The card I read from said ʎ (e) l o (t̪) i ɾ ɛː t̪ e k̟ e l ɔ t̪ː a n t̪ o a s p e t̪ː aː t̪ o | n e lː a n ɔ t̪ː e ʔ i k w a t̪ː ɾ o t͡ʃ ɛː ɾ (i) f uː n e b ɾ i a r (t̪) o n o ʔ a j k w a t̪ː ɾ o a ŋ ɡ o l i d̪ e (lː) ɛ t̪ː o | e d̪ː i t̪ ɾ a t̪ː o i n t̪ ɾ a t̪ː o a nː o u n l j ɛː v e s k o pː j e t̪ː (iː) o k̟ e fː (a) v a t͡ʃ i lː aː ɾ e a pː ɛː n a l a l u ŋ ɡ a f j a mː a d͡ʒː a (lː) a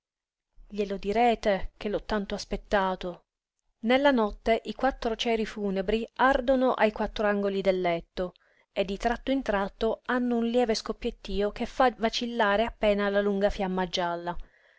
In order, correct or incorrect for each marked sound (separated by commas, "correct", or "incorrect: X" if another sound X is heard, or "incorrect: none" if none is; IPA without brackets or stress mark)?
correct, incorrect: d̪, correct, incorrect: d̪, correct, correct, correct, correct